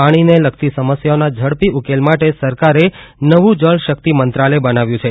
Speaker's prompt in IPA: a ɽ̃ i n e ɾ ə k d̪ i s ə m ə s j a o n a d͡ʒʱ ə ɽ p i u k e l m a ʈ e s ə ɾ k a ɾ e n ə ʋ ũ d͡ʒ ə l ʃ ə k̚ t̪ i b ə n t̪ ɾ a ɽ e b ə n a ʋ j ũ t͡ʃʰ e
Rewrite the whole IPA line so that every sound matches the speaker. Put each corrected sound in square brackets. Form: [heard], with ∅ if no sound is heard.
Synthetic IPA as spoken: a ɽ̃ i n e [l] ə k [t̪] i s ə m ə s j a o n a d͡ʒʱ ə ɽ p i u k e l m a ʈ e s ə ɾ k a ɾ e n ə ʋ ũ d͡ʒ ə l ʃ ə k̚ t̪ i [m] ə n t̪ ɾ a [l] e b ə n a ʋ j ũ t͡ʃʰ e